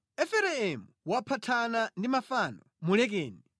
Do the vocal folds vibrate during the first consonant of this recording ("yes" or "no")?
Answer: no